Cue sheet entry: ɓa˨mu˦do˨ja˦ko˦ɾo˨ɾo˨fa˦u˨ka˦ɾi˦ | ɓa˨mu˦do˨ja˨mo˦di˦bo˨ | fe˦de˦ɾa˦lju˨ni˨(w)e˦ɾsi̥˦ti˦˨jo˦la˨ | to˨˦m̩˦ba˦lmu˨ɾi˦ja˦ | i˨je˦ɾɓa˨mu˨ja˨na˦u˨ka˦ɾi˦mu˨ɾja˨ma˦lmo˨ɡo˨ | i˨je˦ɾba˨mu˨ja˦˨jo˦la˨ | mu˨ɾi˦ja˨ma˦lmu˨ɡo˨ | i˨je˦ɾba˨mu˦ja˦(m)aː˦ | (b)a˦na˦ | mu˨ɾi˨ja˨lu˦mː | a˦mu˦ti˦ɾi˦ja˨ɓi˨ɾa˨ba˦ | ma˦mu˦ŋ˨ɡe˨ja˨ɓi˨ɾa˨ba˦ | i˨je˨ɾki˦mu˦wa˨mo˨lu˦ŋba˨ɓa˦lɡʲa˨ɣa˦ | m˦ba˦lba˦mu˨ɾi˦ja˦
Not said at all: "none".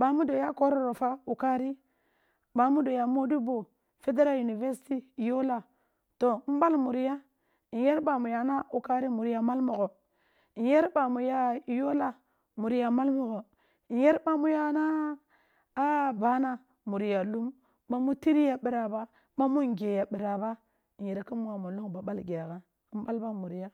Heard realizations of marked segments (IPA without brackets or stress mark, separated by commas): v, n, b